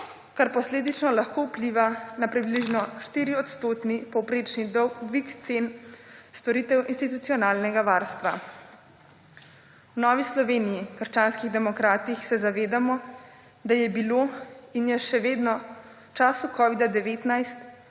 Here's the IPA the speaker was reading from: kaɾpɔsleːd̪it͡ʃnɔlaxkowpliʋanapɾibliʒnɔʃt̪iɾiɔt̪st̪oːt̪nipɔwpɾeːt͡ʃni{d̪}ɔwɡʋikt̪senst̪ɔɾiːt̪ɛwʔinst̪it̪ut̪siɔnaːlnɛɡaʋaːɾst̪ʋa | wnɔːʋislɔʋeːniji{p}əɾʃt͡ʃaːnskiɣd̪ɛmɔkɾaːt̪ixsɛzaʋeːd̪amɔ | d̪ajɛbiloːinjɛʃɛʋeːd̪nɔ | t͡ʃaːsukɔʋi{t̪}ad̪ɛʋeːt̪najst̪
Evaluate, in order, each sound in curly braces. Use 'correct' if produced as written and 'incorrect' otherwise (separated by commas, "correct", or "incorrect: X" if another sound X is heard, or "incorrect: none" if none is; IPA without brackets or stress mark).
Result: correct, incorrect: k, incorrect: d̪